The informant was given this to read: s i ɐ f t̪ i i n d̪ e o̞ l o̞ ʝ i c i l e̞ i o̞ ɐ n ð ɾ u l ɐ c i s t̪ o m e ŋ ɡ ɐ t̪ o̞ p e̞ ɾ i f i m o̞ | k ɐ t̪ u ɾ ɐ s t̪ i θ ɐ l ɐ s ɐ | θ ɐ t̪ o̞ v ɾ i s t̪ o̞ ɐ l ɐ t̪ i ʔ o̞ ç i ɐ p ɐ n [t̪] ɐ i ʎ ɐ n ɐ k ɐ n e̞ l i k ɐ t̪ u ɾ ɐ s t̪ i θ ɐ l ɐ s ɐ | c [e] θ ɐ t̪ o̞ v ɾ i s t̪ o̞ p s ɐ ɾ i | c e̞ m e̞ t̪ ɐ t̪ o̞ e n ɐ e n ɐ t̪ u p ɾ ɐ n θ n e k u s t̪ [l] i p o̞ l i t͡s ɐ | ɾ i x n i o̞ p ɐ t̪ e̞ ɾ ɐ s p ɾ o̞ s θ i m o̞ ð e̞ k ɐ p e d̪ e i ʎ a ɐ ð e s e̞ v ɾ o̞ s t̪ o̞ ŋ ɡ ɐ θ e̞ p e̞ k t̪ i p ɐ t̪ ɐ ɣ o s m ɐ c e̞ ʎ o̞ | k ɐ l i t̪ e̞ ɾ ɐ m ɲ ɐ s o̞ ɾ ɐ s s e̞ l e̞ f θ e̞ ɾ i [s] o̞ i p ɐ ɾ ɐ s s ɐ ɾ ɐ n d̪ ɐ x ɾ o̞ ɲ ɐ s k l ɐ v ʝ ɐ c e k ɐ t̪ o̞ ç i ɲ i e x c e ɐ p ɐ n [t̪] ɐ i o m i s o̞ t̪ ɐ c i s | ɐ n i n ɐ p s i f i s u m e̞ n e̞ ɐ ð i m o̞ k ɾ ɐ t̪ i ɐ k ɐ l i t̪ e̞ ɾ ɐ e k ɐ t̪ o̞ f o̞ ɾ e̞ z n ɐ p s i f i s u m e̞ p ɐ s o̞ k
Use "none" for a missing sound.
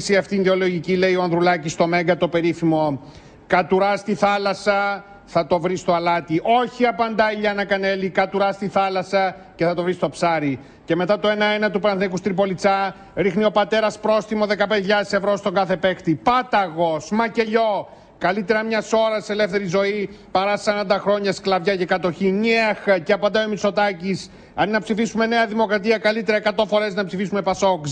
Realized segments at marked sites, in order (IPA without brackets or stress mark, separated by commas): d̪, e, ɾ, z, d̪